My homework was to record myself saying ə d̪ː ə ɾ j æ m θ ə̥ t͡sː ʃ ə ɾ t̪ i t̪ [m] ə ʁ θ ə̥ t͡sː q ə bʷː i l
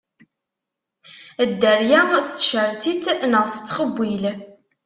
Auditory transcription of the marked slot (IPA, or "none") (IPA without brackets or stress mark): n